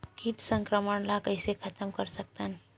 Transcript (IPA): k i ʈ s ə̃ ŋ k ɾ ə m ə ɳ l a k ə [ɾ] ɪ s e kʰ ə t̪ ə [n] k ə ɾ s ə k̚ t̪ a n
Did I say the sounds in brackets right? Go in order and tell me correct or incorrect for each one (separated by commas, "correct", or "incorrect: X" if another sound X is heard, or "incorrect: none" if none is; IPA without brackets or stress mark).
incorrect: none, incorrect: m